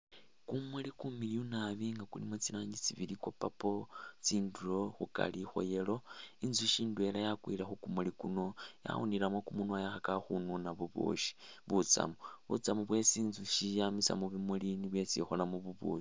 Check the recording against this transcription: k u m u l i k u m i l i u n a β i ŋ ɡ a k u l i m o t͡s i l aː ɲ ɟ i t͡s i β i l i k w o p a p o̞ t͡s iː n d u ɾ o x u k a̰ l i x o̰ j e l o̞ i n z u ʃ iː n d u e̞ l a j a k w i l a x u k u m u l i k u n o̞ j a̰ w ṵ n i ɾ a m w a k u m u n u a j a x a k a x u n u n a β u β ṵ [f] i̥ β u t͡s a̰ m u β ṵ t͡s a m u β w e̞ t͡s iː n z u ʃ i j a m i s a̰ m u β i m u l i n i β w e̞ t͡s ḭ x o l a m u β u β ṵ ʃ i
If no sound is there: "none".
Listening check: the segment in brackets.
ʃ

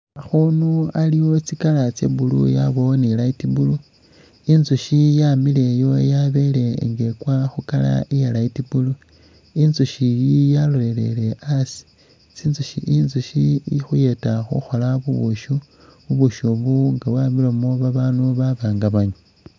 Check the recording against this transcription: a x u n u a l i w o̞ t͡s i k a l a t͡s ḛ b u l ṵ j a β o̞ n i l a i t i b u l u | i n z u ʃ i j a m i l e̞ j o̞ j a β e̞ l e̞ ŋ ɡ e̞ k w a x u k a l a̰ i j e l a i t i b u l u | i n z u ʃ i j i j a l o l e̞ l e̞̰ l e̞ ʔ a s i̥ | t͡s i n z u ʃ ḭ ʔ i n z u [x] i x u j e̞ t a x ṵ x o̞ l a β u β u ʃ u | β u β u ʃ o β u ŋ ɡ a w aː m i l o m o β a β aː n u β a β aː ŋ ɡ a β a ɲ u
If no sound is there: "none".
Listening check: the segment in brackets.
ʃ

